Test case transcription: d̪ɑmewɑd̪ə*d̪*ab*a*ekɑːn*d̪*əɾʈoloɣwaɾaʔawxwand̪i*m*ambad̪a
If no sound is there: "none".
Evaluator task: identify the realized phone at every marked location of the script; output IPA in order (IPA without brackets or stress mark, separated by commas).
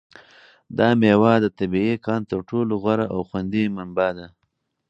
t̪, i, t̪, m